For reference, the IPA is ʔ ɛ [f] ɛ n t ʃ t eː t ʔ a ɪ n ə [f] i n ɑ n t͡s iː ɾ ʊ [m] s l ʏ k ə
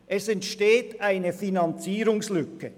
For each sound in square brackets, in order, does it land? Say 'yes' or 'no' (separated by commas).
no, yes, no